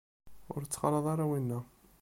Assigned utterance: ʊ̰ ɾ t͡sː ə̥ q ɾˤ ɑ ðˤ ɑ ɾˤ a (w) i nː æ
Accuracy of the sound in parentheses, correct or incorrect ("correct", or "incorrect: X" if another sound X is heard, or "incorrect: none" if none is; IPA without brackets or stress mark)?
correct